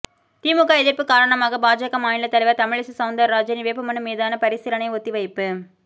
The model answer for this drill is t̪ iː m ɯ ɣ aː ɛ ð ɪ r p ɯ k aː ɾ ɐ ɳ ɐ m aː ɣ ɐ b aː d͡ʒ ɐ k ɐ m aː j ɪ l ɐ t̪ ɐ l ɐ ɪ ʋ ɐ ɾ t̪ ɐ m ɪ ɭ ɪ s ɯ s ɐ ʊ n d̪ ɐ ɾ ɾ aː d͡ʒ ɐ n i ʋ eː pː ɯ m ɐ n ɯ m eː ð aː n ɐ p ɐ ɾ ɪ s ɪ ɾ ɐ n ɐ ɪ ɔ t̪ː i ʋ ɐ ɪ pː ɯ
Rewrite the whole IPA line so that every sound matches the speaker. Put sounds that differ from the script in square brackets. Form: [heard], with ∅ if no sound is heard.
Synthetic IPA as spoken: t̪ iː m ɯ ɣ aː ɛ ð ɪ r p ɯ k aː ɾ ɐ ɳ ɐ m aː ɣ ɐ b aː d͡ʒ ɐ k ɐ m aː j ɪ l ɐ t̪ ɐ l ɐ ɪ ʋ ɐ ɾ t̪ ɐ m ɪ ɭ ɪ s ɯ s ɐ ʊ n d̪ ɐ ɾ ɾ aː d͡ʒ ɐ n i ʋ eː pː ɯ m ɐ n ɯ m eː ð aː n ɐ p ɐ ɾ ɪ s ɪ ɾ ɐ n ɐ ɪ ɔ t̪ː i ʋ ɐ ɪ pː ɯ